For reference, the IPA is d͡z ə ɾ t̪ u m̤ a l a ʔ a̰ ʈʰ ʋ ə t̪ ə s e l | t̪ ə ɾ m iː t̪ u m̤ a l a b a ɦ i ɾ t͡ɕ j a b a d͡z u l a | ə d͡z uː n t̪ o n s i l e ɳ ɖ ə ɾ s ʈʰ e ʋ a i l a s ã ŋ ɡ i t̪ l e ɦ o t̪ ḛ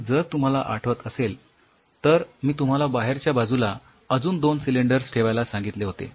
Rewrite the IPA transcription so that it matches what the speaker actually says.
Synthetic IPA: d͡z ə ɾ t̪ u m̤ a l a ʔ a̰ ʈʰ ʋ ə t̪ ə s e l | t̪ ə ɾ m iː t̪ u m̤ a l a b a ɦ e ɾ t͡ɕ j a b a d͡z u l a | ə d͡z uː n d̪ o n s i l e ɳ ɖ ə ɾ s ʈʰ e ʋ a j l a s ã ŋ ɡ i t̪ l e ɦ o t̪ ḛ